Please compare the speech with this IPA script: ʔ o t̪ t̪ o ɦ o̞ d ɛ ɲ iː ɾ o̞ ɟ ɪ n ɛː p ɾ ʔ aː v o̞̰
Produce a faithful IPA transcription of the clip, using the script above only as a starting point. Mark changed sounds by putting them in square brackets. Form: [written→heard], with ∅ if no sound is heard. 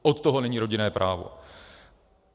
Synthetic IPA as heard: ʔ o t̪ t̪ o ɦ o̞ [d→n] ɛ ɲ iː ɾ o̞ ɟ ɪ n ɛː p ɾ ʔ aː v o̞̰